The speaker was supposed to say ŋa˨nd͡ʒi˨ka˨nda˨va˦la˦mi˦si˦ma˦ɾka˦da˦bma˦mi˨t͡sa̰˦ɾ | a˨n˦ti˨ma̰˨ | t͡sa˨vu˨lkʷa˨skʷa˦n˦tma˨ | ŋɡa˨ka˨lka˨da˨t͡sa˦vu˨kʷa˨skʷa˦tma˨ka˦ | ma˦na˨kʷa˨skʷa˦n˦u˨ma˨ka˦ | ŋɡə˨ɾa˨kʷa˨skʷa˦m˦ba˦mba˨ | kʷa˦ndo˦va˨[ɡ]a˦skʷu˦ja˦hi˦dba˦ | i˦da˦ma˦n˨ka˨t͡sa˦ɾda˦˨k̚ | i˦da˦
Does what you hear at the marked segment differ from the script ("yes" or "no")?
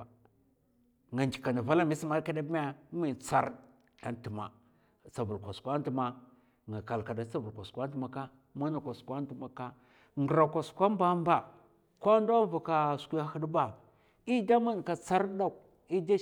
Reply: yes